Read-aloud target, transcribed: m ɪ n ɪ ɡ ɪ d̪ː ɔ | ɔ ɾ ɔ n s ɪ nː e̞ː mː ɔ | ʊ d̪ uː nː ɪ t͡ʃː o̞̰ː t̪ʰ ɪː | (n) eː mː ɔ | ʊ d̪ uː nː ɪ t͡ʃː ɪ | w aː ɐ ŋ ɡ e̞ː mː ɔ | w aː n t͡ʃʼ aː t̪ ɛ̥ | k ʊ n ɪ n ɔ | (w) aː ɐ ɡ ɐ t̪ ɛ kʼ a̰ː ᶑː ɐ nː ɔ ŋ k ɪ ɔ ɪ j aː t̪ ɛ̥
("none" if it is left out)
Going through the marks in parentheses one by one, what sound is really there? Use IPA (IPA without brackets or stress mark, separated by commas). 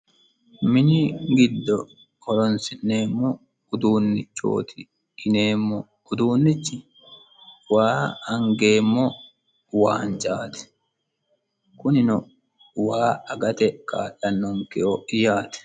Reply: n, w